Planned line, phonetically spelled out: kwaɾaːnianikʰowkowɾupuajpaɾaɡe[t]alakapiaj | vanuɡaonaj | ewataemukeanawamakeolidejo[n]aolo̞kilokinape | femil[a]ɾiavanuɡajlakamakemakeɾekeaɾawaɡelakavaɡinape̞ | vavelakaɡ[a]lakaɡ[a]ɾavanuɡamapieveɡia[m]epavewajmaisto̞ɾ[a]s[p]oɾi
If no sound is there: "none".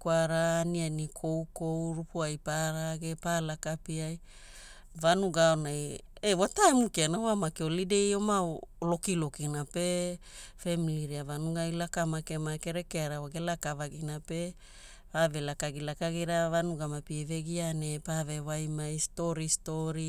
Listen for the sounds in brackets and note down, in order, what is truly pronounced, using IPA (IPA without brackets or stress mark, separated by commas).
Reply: p, m, i, i, i, n, i, t